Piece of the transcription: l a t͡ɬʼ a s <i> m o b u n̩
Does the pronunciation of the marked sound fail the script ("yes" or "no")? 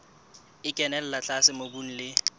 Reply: yes